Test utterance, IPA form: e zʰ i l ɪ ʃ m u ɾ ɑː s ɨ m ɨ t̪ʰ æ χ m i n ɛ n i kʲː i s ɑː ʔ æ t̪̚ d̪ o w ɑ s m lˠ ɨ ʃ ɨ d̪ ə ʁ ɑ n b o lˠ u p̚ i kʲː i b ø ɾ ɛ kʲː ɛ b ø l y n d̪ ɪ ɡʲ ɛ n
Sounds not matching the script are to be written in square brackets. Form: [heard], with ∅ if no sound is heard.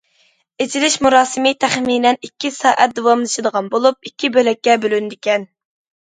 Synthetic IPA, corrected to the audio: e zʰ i l ɪ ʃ m u ɾ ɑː s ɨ m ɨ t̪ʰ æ χ m i n ɛ n i kʲː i s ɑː ʔ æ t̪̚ d̪ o w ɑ [∅] m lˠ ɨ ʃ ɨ d̪ ə ʁ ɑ n b o lˠ u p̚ i kʲː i b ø [l] ɛ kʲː ɛ b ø l y n d̪ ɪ [kʲ] ɛ n